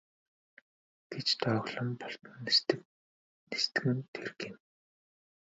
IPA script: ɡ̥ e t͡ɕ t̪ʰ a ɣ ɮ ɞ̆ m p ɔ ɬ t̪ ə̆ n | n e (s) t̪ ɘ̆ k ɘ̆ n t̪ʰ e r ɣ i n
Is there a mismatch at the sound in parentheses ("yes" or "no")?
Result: no